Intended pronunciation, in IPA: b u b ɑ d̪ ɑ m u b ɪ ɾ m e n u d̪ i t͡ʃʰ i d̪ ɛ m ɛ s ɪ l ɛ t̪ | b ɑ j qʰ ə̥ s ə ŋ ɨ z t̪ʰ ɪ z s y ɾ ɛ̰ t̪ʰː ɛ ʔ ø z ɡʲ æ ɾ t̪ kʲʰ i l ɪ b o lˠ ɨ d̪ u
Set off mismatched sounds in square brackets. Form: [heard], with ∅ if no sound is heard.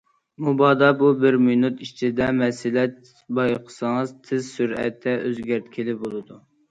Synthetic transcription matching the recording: [m] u b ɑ d̪ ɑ [b] u b ɪ ɾ m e n u [t̪] i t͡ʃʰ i d̪ ɛ m ɛ s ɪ l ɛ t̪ | b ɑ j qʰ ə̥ s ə ŋ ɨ z t̪ʰ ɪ z s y ɾ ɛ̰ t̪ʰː ɛ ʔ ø z ɡʲ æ ɾ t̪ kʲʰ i l ɪ b o lˠ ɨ d̪ u